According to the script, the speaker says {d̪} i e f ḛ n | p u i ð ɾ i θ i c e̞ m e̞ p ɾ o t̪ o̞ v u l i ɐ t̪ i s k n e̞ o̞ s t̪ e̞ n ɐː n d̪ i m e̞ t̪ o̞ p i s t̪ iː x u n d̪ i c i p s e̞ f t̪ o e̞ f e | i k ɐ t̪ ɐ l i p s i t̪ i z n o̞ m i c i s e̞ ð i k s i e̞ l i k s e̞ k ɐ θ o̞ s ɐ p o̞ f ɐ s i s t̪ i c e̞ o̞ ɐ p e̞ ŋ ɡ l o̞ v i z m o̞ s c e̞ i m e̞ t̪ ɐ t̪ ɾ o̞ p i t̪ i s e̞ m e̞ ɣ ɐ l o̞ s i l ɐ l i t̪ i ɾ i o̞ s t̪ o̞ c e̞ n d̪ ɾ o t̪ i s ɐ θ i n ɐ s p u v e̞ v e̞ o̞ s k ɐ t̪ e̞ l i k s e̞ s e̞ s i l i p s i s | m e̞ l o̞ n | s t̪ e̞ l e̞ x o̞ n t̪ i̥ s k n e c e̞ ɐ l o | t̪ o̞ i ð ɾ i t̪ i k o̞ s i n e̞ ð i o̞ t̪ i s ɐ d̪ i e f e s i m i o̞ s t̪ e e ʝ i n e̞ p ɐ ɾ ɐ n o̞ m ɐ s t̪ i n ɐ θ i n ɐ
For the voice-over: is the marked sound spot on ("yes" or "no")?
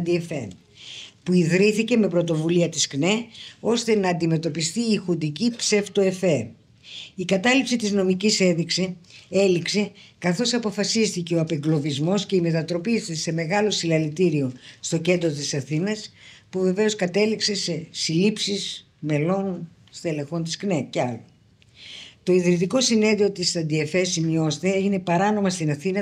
yes